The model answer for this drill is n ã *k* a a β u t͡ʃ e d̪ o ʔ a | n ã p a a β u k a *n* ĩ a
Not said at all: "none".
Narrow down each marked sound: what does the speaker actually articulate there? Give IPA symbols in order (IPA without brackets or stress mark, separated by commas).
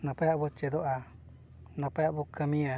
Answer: p, m